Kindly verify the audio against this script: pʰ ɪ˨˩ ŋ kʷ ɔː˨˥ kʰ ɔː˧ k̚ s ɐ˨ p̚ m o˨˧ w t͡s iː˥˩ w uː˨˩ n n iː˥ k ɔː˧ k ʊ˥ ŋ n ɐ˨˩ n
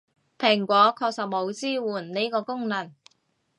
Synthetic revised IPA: pʰ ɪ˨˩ ŋ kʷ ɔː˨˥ kʰ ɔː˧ k̚ s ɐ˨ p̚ m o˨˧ w t͡s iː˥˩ w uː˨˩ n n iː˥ k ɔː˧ k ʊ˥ ŋ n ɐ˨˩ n